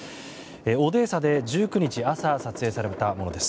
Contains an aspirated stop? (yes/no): no